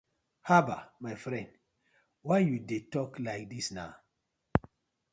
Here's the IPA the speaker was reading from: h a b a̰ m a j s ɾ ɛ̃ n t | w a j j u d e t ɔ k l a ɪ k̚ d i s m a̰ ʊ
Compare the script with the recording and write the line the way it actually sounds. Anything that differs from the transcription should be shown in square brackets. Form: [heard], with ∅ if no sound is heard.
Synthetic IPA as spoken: h a b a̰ m a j [f] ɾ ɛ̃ n [d] | w a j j u d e t ɔ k l a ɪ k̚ d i s [n] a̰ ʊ

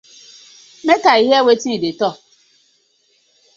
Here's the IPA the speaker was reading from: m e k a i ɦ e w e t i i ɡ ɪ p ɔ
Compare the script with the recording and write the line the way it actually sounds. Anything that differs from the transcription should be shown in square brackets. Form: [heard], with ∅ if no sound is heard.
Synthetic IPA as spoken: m e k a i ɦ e w e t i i [d] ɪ [t] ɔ

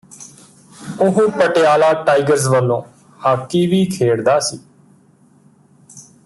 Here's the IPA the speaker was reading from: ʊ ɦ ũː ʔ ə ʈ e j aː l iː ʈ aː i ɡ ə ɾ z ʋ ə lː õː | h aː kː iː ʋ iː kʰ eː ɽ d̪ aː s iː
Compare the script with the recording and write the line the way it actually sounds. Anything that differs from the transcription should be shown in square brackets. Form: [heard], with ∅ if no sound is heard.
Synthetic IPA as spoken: ʊ ɦ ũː [p] ə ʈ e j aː l [aː] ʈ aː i ɡ ə ɾ z ʋ ə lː õː | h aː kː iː ʋ iː kʰ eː ɽ d̪ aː s iː

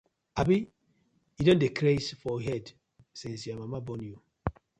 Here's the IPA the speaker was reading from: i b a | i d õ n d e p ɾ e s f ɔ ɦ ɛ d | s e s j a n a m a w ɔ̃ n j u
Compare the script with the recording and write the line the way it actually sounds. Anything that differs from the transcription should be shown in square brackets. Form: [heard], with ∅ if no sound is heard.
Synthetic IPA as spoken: [a] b [i] | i d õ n d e [k] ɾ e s f ɔ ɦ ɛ d | s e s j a [m] a m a [b] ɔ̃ n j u

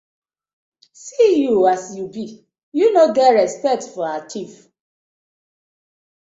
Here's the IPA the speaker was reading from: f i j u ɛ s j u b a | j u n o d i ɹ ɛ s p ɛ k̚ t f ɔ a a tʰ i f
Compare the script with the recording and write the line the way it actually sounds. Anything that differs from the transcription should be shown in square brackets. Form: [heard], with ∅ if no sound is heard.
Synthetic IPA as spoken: [s] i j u [a] s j u b [i] | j u n o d [ɛ] ɹ ɛ s p ɛ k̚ t f ɔ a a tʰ i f

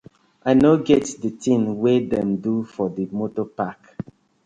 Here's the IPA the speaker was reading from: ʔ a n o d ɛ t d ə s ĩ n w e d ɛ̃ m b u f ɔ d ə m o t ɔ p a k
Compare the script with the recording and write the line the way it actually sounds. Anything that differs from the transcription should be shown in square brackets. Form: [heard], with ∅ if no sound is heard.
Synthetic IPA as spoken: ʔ a n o [ɡ] ɛ t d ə [t] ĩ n w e d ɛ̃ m [d] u f ɔ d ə m o t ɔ p a k

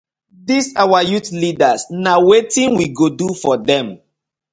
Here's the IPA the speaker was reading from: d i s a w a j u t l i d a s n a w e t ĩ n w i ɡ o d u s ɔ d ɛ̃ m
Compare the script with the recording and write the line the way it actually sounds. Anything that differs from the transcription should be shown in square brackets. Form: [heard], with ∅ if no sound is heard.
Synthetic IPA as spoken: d i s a w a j u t l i d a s n a w e t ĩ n w i ɡ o d u [f] ɔ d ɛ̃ m

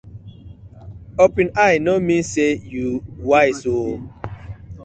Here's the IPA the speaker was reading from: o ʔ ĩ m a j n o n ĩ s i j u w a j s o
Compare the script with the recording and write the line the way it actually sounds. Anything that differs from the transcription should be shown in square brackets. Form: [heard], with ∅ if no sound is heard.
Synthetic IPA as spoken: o [p] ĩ [n] a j n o [m] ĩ s [e] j u w a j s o

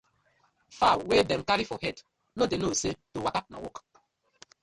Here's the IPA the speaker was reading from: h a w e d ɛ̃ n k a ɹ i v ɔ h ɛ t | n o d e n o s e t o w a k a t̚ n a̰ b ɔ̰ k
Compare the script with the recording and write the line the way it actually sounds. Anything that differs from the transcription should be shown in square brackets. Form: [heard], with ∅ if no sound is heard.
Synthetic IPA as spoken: [f] a w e d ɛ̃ [m] k a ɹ i [f] ɔ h ɛ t | n o d e n o s e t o w a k a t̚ n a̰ [w] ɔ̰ k

